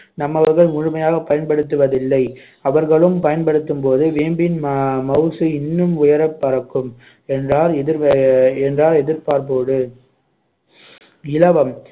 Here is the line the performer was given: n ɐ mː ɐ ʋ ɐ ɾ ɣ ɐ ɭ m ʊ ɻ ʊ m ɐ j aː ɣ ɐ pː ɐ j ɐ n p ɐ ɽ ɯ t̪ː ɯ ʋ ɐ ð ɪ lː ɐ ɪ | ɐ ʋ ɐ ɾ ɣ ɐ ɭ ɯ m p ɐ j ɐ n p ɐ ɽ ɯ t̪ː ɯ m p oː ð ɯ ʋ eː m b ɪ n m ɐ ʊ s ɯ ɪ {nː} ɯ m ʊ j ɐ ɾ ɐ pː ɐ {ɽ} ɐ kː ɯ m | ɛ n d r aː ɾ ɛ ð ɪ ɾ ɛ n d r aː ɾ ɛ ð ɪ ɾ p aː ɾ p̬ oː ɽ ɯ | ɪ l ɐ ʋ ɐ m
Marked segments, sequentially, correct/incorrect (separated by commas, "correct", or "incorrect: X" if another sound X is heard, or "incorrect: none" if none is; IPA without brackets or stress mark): correct, incorrect: ɾ